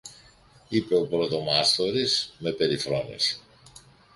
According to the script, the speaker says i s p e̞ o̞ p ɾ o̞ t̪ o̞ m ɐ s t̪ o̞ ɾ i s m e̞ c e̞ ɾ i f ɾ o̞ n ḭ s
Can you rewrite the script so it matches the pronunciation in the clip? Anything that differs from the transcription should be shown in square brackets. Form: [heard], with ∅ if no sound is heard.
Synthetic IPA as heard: i [∅] p e̞ o̞ p ɾ o̞ t̪ o̞ m ɐ s t̪ o̞ ɾ i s m e̞ [p] e̞ ɾ i f ɾ o̞ n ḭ s